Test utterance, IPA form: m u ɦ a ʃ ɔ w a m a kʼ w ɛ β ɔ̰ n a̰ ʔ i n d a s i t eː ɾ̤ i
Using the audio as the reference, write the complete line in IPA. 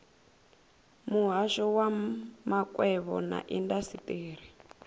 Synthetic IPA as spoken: m u ɦ a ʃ ɔ w a m a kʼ w ɛ β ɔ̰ n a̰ ʔ i n d a s i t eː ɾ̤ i